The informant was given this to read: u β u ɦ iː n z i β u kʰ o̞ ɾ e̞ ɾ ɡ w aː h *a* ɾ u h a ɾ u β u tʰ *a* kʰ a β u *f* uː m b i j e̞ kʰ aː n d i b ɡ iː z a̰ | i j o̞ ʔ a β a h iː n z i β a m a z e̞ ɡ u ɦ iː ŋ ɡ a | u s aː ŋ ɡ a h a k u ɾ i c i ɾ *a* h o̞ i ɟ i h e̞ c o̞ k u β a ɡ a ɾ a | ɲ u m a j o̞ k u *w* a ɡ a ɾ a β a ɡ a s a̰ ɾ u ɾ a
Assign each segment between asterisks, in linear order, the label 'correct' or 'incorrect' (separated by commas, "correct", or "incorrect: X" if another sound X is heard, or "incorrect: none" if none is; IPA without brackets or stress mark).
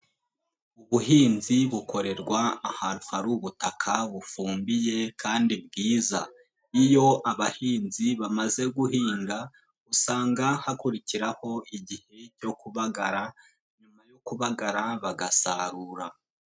correct, correct, correct, correct, incorrect: β